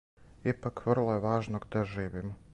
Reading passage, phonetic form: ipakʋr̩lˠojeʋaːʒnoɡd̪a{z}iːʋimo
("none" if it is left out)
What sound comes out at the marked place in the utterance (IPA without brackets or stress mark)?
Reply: ʒ